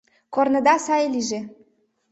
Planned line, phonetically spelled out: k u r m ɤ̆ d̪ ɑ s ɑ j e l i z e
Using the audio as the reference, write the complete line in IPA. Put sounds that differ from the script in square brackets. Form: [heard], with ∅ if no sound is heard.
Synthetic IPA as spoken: k [o] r [n] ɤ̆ d̪ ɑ s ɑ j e l i [ʒ] e